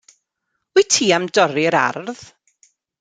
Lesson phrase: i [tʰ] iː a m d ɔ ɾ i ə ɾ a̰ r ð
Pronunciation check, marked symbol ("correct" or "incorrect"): correct